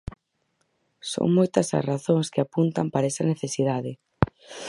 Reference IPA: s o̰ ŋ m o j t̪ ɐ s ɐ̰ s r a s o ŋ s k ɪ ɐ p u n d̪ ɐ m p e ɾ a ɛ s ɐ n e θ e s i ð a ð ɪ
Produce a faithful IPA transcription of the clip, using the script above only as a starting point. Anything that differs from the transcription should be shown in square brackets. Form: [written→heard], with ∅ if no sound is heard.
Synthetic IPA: s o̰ ŋ m o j t̪ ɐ s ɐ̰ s r a [s→θ] o ŋ s k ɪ [ɐ→a] p u n [d̪→t̪] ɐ m p [e→a] ɾ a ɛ s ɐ n e θ e s i ð a ð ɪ